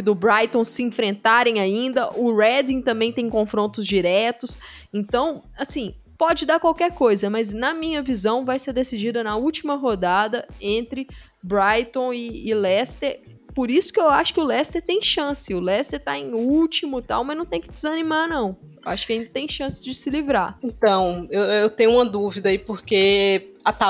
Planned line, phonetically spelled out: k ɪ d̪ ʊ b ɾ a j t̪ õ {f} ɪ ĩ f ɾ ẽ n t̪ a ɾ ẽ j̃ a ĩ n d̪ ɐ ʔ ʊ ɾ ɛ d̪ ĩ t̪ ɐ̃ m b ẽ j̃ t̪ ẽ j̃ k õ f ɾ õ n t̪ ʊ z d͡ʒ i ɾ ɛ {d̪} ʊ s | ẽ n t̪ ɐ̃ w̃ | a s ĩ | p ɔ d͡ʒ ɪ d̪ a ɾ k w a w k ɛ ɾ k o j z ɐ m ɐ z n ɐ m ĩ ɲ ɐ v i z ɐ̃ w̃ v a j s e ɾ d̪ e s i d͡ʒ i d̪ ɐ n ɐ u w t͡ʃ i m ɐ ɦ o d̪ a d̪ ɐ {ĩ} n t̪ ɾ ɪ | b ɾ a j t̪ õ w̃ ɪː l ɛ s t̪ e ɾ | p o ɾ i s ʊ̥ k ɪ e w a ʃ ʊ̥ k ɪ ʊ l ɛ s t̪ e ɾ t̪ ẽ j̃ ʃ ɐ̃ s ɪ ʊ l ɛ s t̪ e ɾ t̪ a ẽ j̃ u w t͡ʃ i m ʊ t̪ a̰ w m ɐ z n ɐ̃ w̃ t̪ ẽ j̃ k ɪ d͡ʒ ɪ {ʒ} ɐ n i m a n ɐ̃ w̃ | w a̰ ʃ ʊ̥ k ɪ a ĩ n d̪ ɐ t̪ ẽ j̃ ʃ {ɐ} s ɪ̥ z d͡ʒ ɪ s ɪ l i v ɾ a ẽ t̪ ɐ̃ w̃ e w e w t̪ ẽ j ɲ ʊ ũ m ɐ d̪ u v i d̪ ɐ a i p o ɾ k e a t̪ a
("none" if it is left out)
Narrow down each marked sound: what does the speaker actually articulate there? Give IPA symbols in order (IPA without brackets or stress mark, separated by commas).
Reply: s, t̪, ẽ, z, ɐ̃